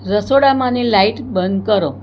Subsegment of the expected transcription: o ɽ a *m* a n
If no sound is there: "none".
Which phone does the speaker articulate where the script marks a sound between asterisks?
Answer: m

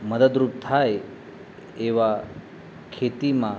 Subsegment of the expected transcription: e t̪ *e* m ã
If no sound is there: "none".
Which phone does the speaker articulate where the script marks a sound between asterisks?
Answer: i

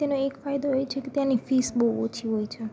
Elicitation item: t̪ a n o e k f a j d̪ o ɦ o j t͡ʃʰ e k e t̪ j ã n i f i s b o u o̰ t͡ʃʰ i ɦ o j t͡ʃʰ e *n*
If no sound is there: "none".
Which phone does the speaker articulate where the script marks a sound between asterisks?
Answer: none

